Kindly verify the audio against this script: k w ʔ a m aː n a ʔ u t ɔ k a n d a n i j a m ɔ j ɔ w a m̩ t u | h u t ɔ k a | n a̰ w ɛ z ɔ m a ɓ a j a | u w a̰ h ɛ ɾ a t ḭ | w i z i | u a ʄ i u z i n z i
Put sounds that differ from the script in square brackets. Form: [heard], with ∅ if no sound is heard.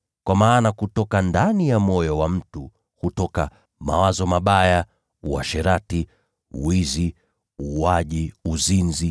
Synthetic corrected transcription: k w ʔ a m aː n a [k] u t ɔ k a n d a n i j a m ɔ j ɔ w a m̩ t u | h u t ɔ k a | [m] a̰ w [a] z ɔ m a ɓ a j a | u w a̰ [ʃ] ɛ ɾ a t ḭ | w i z i | u a ʄ i u z i n z i